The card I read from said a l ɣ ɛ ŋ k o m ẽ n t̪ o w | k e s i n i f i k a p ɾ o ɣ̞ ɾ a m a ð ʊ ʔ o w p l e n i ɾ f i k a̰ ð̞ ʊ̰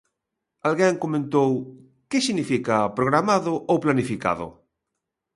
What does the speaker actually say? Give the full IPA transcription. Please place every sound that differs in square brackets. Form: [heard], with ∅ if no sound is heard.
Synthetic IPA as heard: a l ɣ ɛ ŋ k o m ẽ n t̪ o w | k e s i n i f i k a p ɾ o ɣ̞ ɾ a m a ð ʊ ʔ o w p l [a] n i [∅] f i k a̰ ð̞ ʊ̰